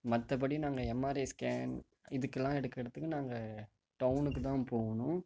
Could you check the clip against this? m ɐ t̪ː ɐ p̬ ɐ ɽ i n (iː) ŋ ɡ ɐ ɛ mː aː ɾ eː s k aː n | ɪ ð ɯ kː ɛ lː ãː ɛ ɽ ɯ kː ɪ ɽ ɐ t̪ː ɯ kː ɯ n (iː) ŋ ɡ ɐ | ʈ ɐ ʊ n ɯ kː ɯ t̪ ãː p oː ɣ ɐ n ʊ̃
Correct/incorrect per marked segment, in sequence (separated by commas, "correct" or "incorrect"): incorrect, incorrect